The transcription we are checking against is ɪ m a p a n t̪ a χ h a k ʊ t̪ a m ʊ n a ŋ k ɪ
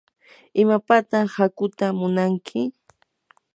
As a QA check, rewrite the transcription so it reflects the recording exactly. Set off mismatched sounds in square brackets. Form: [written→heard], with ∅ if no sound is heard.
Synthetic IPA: ɪ m a p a [n→∅] t̪ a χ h a k ʊ t̪ a m ʊ n a ŋ [k→kʰ] ɪ